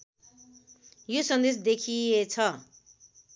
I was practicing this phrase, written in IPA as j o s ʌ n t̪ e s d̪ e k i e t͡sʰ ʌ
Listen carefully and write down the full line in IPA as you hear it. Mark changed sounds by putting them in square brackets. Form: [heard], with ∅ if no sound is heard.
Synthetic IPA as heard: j o s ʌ n [d̪] e s d̪ e [kʰ] i e t͡sʰ ʌ